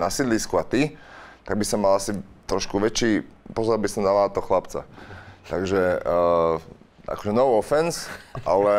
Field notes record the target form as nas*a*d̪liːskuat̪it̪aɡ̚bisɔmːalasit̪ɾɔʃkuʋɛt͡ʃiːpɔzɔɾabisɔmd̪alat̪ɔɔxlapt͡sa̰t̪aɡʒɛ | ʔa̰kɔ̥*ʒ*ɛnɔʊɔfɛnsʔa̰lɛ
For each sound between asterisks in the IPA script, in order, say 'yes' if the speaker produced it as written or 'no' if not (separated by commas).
no, yes